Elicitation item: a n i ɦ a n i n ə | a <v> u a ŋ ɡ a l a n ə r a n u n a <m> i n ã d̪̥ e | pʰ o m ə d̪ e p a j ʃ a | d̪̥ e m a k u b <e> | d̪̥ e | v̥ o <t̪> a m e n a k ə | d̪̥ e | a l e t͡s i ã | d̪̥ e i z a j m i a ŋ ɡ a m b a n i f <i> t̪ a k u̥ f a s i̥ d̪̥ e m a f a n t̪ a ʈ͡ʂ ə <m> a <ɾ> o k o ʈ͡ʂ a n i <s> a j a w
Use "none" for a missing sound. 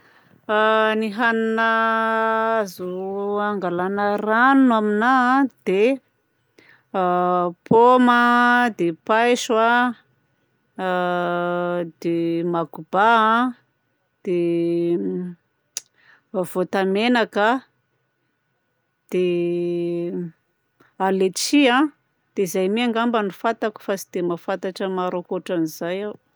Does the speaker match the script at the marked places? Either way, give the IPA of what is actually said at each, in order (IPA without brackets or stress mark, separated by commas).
z, m, a, t̪, a, m, ɾ, z